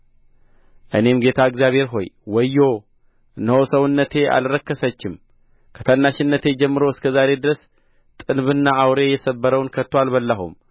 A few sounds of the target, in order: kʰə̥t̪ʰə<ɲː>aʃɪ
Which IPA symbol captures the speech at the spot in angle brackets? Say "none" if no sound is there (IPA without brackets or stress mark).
nː